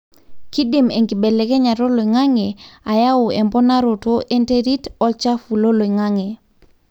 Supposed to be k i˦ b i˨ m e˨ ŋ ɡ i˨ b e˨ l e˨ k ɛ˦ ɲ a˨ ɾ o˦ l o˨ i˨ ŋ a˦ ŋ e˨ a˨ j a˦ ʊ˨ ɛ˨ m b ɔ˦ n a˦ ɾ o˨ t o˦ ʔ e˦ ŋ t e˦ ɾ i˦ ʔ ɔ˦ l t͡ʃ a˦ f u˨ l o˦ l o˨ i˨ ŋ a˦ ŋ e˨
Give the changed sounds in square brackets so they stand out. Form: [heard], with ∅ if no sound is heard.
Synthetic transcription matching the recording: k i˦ [d] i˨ m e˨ ŋ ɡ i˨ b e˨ l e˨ k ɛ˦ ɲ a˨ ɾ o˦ l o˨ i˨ ŋ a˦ ŋ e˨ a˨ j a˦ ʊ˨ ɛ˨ m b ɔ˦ n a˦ ɾ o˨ t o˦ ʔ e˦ [n] t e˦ ɾ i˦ [t] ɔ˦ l t͡ʃ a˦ f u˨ l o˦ l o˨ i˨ ŋ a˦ ŋ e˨